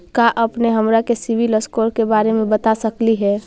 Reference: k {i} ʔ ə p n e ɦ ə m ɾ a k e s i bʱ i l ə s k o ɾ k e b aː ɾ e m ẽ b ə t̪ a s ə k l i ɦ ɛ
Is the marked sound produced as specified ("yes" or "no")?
no